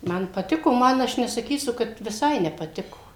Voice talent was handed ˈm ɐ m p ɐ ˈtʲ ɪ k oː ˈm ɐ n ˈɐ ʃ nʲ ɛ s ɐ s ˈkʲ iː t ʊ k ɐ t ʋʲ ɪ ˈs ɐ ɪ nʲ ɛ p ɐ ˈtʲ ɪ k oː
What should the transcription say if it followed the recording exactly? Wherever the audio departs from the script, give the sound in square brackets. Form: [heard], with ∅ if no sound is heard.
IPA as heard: ˈm ɐ [n] p ɐ ˈtʲ ɪ k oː ˈm ɐ n ˈɐ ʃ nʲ ɛ s ɐ [∅] ˈkʲ iː [s] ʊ k ɐ t ʋʲ ɪ ˈs ɐ ɪ nʲ ɛ p ɐ ˈtʲ ɪ k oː